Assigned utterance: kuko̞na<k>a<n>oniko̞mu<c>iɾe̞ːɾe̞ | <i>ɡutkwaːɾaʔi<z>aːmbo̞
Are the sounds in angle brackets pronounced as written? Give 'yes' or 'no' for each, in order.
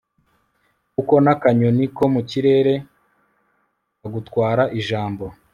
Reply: yes, no, yes, no, no

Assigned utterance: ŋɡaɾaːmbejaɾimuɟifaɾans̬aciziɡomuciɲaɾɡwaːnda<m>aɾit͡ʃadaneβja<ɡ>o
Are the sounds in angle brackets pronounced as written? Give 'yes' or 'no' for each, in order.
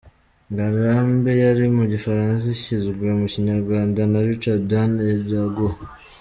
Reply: no, yes

